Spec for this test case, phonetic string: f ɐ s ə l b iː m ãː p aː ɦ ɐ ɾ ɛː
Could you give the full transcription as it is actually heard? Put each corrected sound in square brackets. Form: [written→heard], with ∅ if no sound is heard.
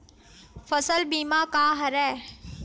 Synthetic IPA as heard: f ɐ s ə l b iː m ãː [p→k] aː ɦ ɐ ɾ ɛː